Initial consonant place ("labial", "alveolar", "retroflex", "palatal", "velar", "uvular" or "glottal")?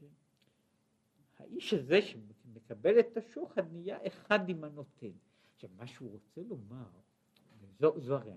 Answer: glottal